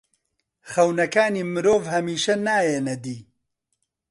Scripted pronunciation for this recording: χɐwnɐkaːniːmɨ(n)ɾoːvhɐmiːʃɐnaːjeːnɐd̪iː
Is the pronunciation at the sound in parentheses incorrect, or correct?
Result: incorrect: none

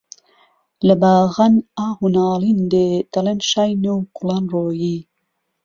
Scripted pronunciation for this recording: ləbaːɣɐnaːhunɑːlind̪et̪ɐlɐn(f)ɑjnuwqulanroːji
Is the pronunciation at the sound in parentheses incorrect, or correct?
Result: incorrect: ʃ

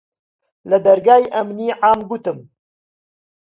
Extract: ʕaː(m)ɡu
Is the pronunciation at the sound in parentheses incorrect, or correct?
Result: correct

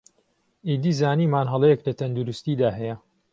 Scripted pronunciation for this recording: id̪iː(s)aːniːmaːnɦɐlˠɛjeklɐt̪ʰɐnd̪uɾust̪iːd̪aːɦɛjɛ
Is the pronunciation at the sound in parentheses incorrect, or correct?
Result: incorrect: z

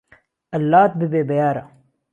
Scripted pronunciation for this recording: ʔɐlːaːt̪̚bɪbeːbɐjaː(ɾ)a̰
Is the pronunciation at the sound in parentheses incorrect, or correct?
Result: correct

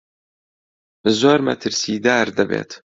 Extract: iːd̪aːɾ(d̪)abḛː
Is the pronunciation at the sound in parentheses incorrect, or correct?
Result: correct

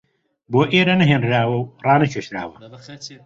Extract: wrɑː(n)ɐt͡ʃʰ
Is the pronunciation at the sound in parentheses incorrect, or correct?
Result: correct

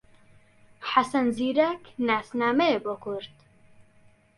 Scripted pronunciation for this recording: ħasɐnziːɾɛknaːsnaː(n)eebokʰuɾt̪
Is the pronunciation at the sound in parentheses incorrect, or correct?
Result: incorrect: m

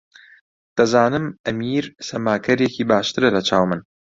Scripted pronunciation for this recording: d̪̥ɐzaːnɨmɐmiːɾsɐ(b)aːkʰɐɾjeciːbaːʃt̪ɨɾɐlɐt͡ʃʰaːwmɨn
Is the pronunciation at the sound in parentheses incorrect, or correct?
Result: incorrect: m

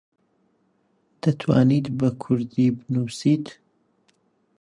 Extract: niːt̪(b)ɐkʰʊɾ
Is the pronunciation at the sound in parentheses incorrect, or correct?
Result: correct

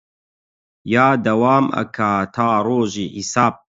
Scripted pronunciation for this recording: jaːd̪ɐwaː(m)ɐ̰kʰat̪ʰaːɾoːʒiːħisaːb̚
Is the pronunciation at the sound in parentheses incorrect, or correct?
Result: correct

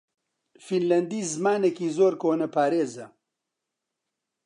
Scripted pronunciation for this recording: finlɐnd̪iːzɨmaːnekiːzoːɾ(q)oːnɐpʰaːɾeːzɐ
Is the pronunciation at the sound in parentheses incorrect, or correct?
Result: incorrect: k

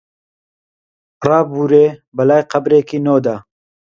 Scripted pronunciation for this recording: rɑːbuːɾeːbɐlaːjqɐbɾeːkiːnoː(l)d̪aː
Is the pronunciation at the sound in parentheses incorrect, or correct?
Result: incorrect: none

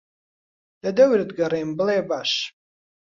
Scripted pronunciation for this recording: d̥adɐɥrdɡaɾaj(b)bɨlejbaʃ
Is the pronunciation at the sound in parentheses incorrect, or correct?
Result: incorrect: m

